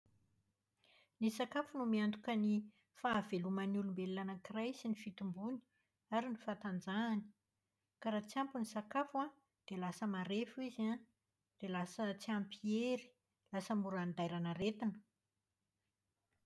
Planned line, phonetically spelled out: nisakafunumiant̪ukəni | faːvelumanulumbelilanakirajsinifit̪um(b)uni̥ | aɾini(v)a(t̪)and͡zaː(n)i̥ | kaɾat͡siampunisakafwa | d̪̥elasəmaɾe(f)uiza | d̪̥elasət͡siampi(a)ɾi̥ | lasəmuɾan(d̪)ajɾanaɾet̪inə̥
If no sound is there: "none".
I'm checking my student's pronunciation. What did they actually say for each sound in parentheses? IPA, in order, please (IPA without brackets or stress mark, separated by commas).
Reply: b, f, t̪, n, f, e, d̪